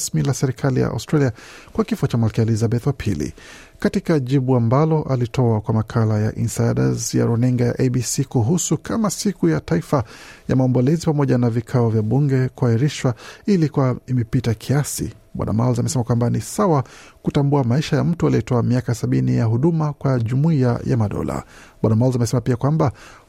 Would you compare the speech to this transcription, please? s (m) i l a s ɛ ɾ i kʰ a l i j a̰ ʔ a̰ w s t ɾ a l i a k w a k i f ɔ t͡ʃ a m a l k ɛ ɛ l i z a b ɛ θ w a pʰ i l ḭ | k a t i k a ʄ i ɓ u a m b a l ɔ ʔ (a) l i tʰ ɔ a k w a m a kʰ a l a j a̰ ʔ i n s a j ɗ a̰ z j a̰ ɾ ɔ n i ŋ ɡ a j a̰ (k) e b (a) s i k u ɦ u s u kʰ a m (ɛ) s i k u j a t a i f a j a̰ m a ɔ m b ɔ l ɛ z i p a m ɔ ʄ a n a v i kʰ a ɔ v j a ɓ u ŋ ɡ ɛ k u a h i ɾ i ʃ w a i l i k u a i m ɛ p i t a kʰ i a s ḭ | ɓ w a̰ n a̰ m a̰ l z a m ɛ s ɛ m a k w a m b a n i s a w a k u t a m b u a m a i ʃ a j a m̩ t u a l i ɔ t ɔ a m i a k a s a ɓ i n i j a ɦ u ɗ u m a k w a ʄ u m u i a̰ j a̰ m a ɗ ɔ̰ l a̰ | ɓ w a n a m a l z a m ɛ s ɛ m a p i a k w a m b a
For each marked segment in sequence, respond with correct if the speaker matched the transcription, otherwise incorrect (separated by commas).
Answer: correct, correct, incorrect, incorrect, incorrect